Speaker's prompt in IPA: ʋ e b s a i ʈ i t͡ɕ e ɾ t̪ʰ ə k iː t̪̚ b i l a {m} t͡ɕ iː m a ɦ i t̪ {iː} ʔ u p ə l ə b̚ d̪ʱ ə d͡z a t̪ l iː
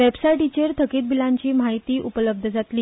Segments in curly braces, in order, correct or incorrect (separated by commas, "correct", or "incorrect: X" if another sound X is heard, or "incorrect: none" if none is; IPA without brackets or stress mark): incorrect: ɲ, correct